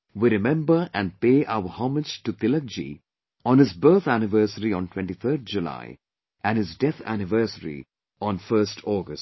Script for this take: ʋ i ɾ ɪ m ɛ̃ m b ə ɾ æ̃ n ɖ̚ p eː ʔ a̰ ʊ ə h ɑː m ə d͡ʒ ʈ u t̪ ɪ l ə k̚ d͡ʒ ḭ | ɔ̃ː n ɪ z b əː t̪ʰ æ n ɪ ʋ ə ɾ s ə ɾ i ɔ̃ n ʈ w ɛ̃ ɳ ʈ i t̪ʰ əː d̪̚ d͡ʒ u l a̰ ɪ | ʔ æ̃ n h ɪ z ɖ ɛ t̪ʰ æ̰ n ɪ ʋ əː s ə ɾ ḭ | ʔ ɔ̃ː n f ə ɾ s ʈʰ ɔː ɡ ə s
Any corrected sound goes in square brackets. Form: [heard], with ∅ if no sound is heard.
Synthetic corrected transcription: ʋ i ɾ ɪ m ɛ̃ m b ə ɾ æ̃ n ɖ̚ p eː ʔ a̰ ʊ ə h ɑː m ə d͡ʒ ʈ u t̪ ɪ l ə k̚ d͡ʒ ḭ | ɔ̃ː n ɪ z b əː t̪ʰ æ n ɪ ʋ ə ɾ s ə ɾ i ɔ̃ n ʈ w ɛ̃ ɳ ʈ i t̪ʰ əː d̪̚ d͡ʒ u l a̰ ɪ | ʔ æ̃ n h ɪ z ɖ ɛ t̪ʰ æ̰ n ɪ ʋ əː s ə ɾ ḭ | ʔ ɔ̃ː n f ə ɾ s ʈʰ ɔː ɡ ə s